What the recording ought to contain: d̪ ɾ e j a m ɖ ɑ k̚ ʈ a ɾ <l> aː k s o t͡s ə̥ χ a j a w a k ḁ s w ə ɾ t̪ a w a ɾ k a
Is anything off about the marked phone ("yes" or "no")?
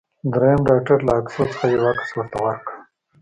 no